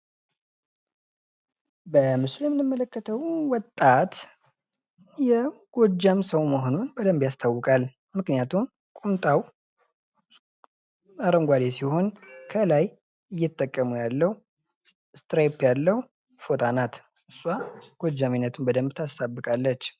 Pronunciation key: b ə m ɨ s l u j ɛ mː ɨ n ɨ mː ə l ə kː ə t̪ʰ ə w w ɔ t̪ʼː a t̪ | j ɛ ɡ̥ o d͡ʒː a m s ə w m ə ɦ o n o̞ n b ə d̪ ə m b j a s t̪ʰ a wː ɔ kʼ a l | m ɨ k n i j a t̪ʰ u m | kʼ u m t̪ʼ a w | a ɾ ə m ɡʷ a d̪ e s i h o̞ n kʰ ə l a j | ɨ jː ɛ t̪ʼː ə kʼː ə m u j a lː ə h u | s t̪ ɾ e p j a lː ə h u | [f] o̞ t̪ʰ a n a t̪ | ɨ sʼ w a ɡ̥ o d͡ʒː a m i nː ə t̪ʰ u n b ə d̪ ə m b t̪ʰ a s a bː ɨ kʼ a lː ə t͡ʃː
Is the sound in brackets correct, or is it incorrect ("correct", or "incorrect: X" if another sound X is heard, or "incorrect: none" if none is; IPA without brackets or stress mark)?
correct